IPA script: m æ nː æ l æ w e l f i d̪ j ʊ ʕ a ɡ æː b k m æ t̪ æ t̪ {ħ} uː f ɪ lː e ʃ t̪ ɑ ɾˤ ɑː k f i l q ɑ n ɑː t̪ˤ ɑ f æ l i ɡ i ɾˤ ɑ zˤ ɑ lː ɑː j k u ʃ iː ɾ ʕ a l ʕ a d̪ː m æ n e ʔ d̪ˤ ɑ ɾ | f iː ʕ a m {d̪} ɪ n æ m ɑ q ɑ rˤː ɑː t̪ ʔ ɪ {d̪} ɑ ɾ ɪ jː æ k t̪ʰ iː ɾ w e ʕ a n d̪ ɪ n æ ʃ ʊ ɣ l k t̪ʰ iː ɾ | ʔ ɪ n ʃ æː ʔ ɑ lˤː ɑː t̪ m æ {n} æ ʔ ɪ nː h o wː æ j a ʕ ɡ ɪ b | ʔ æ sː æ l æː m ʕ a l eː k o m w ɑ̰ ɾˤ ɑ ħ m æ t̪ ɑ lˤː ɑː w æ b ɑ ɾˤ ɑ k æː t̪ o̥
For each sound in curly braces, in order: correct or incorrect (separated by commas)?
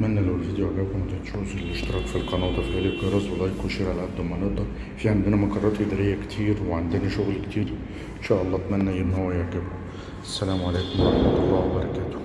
incorrect, correct, correct, incorrect